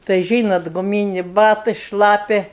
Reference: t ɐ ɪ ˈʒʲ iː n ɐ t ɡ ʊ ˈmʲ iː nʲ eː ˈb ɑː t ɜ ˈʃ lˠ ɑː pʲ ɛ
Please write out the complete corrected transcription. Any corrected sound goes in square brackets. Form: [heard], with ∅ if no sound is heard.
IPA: t ɐ ɪ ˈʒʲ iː n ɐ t ɡ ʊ ˈmʲ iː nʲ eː ˈb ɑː t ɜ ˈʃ lˠ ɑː pʲ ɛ